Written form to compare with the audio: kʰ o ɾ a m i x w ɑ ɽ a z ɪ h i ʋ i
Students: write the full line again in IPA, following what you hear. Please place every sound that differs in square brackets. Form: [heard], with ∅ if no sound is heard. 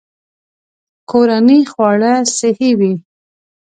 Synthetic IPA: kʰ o ɾ a [n] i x w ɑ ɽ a [s] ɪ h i [w] i